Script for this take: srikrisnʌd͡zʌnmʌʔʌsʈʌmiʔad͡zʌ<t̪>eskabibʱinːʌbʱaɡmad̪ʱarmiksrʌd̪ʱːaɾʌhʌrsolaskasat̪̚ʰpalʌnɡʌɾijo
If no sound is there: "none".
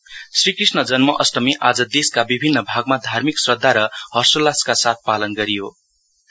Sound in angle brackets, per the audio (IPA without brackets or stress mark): d̪